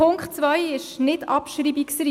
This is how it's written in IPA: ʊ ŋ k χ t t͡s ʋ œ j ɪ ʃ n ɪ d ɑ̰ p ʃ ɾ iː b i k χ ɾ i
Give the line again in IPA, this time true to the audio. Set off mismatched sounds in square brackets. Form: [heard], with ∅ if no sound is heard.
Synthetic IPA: ʊ ŋ k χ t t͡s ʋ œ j ɪ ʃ n ɪ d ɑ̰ p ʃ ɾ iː b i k [s] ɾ i